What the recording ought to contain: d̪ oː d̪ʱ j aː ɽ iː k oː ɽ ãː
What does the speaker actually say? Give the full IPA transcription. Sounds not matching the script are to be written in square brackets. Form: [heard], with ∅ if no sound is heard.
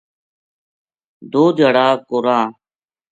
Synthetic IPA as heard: d̪ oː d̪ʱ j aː ɽ [aː] k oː [ɾ] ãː